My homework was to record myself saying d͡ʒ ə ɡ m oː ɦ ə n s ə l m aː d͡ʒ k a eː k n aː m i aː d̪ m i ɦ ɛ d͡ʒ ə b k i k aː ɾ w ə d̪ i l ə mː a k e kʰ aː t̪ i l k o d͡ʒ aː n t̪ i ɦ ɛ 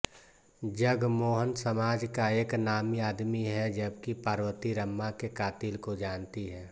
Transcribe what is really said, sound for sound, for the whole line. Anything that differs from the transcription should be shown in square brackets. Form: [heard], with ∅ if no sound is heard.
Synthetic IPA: d͡ʒ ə ɡ m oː ɦ ə n s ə [∅] m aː d͡ʒ k a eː k n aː m i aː d̪ m i ɦ ɛ d͡ʒ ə b k i [p] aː ɾ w ə [t̪] i [ɾ] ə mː a k e [k] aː t̪ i l k o d͡ʒ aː n t̪ i ɦ [ɛː]